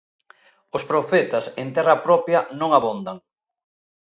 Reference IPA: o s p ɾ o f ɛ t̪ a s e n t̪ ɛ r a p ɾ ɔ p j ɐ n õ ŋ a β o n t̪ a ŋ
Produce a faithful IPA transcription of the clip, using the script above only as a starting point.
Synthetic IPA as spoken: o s p ɾ o f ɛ t̪ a s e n t̪ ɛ r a p ɾ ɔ p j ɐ n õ ŋ a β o n d̪ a ŋ